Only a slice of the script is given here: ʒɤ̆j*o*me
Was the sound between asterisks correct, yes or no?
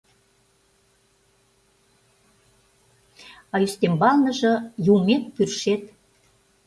no